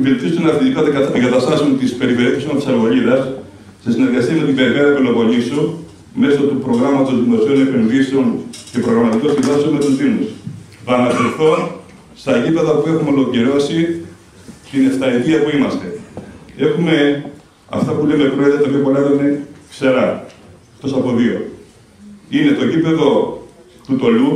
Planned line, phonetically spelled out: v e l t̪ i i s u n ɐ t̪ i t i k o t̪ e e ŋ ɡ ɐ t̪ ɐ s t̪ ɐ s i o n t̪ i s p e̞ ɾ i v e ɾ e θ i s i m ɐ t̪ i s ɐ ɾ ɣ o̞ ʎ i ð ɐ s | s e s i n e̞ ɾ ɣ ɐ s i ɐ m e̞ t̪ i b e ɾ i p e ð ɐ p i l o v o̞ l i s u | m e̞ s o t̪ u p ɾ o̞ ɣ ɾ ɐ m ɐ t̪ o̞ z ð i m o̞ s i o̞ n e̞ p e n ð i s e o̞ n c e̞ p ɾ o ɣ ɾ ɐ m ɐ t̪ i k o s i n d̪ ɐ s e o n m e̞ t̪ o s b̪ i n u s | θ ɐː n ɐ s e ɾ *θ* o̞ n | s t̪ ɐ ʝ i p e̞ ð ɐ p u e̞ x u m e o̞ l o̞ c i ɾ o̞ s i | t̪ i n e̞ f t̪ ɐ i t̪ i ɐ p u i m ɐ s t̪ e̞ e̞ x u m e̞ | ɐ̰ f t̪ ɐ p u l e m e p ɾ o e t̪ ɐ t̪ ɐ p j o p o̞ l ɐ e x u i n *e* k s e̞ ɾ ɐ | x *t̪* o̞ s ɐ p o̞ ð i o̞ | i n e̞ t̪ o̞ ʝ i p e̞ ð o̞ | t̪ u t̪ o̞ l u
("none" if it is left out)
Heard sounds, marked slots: θ, e, t̪

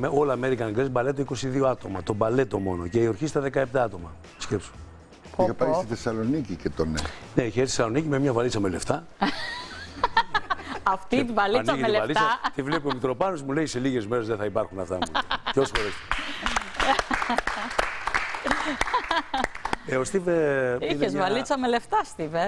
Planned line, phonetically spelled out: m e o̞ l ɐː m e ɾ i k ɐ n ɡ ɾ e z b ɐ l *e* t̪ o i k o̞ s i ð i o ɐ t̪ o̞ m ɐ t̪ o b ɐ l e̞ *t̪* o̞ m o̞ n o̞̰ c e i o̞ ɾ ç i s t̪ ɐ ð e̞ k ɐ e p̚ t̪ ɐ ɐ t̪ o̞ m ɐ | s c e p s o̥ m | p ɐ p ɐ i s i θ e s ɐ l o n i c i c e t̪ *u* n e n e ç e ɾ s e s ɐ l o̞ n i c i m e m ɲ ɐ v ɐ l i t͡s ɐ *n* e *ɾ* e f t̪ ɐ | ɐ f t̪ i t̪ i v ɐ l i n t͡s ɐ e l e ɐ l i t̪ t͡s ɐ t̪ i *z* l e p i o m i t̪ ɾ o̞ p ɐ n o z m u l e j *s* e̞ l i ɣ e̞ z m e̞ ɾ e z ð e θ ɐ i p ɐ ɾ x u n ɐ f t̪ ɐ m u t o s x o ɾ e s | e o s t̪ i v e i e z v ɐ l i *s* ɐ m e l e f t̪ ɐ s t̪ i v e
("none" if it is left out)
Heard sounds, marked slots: e, t̪, o, m, l, v, s, t͡s

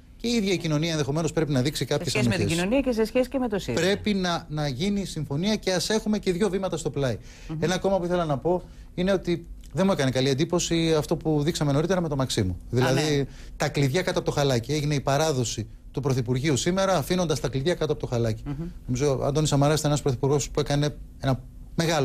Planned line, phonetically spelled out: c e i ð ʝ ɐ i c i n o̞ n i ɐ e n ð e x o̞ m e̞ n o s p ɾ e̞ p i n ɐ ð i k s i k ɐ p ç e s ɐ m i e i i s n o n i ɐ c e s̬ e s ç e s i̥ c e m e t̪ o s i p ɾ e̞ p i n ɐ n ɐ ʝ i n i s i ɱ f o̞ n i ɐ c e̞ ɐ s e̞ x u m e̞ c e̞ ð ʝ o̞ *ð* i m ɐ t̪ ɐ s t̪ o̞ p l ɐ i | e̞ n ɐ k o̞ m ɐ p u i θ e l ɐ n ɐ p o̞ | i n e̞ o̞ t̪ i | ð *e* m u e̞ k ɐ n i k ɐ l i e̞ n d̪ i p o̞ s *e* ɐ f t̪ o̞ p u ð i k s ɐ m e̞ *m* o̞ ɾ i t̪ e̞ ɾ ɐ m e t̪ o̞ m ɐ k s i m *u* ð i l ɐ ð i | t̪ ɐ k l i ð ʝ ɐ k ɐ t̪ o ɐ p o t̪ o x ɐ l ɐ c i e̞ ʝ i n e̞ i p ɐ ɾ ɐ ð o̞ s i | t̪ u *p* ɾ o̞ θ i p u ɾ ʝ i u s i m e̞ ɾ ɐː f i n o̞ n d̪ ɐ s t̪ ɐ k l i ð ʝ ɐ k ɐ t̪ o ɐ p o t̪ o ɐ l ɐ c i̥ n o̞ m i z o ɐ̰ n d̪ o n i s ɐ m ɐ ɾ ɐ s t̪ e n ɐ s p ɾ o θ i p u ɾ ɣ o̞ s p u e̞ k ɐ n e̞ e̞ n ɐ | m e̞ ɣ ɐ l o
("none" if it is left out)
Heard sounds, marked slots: v, e, i, n, u, p

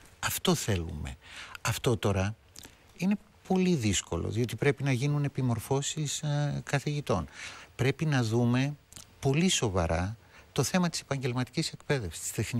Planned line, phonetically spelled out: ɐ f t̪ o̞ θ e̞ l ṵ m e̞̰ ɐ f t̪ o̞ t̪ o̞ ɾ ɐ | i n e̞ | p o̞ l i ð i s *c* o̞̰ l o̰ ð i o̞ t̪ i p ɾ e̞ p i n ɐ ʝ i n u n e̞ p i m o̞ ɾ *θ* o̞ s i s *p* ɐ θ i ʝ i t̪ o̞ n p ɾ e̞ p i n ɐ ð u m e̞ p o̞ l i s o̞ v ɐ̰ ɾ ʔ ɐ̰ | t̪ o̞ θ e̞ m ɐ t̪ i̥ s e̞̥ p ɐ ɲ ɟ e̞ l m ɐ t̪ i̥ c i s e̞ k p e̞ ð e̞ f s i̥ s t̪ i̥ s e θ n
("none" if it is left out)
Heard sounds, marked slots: k, f, k

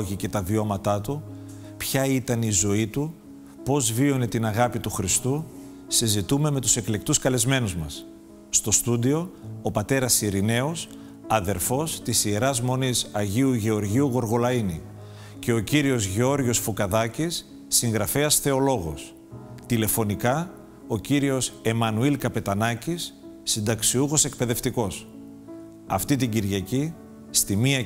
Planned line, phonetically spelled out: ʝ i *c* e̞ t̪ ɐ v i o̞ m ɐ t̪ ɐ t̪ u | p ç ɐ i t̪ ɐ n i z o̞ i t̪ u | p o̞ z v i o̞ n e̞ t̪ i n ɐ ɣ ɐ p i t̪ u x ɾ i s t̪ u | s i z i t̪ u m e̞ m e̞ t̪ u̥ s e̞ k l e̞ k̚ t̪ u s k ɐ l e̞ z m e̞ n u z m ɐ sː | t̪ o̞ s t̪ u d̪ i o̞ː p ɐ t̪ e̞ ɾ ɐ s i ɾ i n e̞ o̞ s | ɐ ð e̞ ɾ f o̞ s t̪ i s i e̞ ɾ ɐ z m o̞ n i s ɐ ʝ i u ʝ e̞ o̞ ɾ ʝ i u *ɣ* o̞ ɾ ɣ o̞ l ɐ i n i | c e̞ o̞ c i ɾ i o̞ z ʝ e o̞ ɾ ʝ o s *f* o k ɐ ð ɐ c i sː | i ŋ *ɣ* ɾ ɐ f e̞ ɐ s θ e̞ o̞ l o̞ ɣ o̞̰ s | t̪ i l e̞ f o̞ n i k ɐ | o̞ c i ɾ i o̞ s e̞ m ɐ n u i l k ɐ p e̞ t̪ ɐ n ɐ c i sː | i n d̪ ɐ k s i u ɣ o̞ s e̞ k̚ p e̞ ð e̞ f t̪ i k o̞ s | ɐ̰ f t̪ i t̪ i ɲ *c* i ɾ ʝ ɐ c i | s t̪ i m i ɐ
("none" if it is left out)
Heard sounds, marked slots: c, ɣ, f, ɣ, ɟ

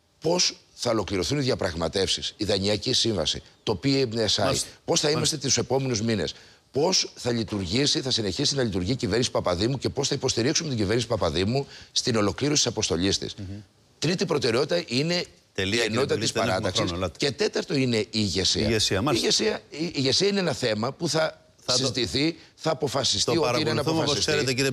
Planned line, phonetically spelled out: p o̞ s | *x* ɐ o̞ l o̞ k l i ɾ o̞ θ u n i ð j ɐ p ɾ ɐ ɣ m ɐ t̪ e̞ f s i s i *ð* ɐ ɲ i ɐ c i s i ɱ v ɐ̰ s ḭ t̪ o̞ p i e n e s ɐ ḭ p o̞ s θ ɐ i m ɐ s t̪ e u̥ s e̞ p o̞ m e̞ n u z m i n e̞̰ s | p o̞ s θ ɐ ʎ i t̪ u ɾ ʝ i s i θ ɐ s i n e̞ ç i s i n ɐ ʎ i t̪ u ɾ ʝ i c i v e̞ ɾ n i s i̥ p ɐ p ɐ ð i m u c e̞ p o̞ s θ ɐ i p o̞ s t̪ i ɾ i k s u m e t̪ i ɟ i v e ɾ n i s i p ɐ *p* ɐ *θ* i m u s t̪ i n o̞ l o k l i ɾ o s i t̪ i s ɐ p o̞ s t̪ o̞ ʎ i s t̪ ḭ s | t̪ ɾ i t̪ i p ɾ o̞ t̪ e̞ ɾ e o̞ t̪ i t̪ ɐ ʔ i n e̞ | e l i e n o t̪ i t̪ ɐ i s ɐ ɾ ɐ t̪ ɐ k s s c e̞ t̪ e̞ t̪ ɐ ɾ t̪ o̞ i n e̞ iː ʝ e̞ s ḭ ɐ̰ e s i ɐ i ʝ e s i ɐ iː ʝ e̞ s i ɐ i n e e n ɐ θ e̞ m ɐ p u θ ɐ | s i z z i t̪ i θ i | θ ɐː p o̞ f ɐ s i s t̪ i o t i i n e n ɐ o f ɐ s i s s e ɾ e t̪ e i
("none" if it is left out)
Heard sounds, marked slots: θ, ð, p, ð

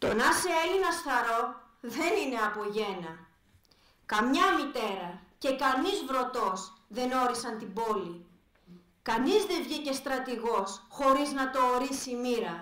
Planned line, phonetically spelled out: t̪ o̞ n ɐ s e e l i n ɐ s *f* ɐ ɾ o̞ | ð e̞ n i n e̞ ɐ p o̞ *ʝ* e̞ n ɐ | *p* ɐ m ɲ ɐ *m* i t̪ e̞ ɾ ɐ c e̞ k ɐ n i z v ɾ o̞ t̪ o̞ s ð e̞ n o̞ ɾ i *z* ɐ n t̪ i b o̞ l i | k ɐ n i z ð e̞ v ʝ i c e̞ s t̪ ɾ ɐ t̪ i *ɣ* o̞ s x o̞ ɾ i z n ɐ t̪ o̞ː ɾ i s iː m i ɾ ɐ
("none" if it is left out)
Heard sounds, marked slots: θ, ʝ, k, m, s, ɣ

